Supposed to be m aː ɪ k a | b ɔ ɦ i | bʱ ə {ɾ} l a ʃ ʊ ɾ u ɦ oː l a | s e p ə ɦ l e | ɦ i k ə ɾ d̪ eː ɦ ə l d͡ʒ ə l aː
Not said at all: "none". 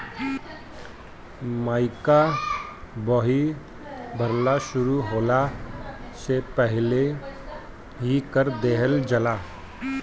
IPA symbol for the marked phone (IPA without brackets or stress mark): ɾ